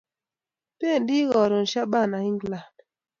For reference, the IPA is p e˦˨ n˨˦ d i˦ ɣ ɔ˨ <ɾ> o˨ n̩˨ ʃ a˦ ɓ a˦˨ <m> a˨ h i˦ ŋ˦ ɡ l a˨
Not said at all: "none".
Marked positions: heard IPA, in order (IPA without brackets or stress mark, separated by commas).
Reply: ɾ, n